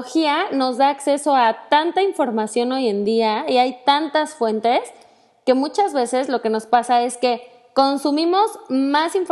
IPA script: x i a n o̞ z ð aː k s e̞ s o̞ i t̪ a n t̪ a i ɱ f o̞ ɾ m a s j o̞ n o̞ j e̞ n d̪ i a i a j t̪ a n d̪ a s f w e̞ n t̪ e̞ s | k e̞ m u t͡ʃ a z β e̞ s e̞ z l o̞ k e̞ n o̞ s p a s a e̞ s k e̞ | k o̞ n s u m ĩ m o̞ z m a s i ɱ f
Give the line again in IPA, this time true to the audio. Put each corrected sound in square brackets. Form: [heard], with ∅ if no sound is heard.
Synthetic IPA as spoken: x i a n o̞ z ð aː k s e̞ s o̞ [a] t̪ a n t̪ a i ɱ f o̞ ɾ m a s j o̞ n o̞ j e̞ n d̪ i a i a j t̪ a n [t̪] a s f w e̞ n t̪ e̞ s | k e̞ m u t͡ʃ a z β e̞ s e̞ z l o̞ k e̞ n o̞ s p a s a e̞ s k e̞ | k o̞ n s u m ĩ m o̞ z m a s i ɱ f